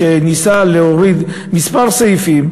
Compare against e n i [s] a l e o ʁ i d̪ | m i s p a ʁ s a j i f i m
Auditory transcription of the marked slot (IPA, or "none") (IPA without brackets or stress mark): s